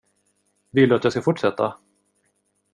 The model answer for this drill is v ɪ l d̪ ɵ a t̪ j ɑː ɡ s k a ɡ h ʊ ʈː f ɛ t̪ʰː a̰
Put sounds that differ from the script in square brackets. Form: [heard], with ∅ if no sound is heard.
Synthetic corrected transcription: v ɪ l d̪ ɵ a t̪ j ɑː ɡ s k a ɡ [f] ʊ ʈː [ʂ] ɛ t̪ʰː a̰